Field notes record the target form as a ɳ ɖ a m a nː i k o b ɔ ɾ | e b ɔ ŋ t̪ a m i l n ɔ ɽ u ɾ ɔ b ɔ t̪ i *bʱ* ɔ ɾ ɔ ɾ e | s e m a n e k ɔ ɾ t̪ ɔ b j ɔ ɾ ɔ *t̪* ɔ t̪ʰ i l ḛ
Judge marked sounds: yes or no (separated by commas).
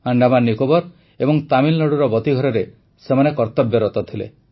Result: no, yes